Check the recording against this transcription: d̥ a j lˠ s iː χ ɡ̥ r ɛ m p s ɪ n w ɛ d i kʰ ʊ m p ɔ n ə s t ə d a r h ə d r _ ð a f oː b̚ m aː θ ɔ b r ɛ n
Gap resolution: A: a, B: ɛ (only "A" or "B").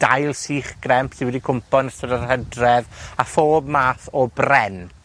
B